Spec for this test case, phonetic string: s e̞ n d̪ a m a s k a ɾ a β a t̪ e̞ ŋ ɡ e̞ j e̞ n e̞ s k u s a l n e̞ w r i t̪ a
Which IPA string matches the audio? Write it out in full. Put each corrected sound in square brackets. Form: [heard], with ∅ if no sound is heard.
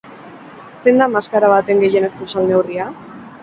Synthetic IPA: s e̞ n d̪ a m a s k a ɾ a β a t̪ e̞ ŋ ɡ e̞ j e̞ n e̞ s k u s a l n e̞ w r i [∅] a